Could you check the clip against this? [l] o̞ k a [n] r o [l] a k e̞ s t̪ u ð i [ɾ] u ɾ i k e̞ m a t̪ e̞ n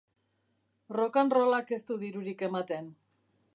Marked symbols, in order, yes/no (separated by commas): no, yes, yes, yes